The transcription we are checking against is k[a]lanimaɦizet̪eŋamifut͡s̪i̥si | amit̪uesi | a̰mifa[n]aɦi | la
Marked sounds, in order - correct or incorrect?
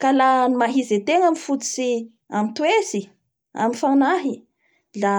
correct, correct

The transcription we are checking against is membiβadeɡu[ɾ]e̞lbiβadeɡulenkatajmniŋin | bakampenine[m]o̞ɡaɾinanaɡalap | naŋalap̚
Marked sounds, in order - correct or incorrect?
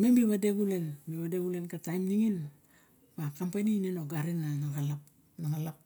incorrect: l, incorrect: n

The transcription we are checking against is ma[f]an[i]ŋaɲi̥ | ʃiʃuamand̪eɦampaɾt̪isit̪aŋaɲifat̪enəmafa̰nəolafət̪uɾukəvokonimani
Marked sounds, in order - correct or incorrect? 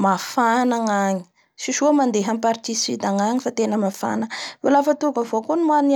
correct, incorrect: a

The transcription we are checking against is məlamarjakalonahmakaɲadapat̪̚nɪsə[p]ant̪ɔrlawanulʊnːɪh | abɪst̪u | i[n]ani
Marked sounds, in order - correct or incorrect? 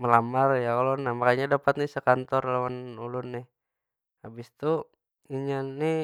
incorrect: k, incorrect: ɲ

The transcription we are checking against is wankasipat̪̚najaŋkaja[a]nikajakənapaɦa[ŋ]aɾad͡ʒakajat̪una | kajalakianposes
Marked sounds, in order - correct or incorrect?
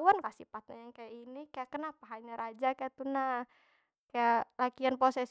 incorrect: i, incorrect: ɲ

